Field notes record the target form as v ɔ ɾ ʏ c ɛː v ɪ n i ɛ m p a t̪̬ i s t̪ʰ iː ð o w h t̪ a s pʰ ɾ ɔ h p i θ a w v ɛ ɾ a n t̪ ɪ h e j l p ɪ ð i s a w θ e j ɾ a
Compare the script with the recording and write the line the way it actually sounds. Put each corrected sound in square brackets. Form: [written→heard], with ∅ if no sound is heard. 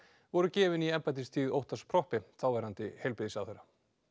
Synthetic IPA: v ɔ ɾ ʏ c ɛː v ɪ n i ɛ m p a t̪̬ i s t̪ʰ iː ð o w h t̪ a s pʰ ɾ ɔ h p [i→ɪ] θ a w v ɛ ɾ a n t̪ ɪ h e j l p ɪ ð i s a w θ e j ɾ a